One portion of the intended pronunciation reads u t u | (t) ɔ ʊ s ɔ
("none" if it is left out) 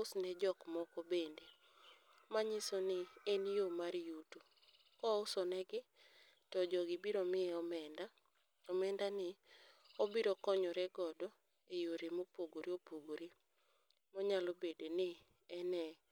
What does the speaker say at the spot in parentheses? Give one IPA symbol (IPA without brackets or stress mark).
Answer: k